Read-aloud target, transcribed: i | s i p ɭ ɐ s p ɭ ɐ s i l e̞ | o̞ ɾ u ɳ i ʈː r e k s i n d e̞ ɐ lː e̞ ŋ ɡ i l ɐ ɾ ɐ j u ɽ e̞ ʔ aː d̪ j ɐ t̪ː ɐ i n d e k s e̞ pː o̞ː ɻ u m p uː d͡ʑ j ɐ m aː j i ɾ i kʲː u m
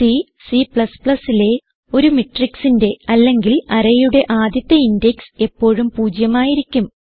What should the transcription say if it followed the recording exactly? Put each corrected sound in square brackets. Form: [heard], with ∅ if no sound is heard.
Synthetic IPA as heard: i | s i p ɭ ɐ s p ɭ ɐ s i l e̞ | o̞ ɾ u [m] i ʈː r [i] k s i n d e̞ ɐ lː e̞ ŋ ɡ i l ɐ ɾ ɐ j u ɽ e̞ ʔ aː d̪ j ɐ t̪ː ɐ i n d e k s e̞ pː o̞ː ɻ u m p uː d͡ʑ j ɐ m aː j i ɾ i kʲː u m